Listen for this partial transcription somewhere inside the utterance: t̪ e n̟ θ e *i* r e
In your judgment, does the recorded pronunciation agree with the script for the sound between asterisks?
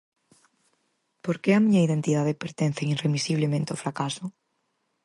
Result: yes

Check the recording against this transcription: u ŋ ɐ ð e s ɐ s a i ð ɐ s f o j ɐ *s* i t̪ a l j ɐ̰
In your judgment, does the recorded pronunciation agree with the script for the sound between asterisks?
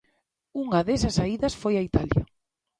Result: no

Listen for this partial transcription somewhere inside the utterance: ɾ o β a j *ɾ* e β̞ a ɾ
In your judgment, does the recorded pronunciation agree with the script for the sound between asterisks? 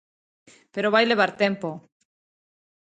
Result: no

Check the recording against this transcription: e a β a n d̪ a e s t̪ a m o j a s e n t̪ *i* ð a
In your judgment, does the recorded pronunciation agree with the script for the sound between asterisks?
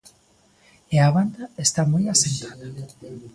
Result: no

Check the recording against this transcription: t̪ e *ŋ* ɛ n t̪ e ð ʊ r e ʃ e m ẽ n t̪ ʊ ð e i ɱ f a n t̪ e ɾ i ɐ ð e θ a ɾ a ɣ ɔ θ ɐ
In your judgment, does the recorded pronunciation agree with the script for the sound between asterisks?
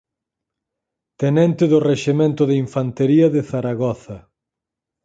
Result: no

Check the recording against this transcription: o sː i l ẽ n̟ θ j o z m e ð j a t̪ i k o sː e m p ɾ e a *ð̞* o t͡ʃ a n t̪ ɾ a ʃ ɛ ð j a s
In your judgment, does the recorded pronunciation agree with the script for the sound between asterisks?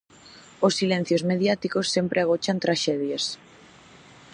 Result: no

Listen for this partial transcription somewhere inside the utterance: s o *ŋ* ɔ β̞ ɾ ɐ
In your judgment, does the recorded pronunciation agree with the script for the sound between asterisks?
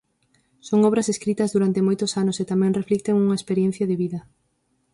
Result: yes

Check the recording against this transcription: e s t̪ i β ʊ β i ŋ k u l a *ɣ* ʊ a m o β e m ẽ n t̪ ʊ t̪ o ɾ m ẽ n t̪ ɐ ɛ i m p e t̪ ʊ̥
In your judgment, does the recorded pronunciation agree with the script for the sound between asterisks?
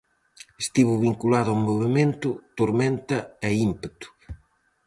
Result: no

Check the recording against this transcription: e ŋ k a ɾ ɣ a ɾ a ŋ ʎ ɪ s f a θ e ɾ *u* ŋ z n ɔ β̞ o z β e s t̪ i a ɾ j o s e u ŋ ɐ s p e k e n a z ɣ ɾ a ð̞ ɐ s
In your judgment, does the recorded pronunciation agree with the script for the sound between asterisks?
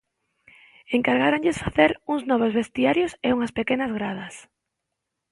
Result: yes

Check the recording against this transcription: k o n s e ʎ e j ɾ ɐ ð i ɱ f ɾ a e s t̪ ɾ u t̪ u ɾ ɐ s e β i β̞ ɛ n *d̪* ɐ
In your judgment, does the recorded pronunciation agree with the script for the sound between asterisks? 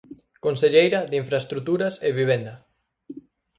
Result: yes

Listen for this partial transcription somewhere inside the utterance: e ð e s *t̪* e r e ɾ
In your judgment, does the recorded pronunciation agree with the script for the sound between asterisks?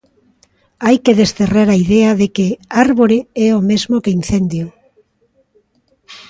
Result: yes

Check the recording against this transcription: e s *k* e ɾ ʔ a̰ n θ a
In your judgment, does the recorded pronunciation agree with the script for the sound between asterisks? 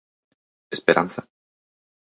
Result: no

